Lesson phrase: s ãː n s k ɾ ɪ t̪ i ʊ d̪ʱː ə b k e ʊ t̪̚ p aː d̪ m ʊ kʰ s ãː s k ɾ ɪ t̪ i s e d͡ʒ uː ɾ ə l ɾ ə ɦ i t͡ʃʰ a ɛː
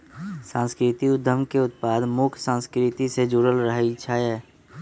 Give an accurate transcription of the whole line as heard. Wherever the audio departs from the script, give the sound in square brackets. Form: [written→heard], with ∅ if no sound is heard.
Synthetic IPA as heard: s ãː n s k ɾ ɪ t̪ i ʊ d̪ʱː ə [b→m] k e ʊ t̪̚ p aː d̪ m ʊ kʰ s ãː s k ɾ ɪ t̪ i s e d͡ʒ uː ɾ ə l ɾ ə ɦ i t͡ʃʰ a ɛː